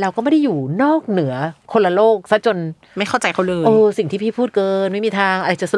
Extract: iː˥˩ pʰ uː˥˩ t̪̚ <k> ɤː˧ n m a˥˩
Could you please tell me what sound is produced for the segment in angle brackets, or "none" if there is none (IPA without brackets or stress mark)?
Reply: k